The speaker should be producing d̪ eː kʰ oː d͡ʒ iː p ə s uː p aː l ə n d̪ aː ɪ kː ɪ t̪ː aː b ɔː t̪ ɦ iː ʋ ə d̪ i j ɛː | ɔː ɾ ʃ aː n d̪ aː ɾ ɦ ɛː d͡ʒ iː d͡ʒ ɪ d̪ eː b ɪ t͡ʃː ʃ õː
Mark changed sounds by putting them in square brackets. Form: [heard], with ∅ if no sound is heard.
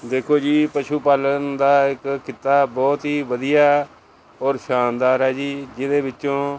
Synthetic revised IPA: d̪ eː kʰ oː d͡ʒ iː p ə [ʃ] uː p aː l ə n d̪ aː ɪ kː ɪ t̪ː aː b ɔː t̪ ɦ iː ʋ ə d̪ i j [aː] | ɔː ɾ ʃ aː n d̪ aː ɾ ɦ ɛː d͡ʒ iː d͡ʒ ɪ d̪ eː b ɪ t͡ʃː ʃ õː